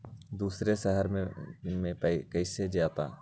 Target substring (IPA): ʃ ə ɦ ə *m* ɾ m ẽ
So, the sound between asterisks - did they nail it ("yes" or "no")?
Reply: no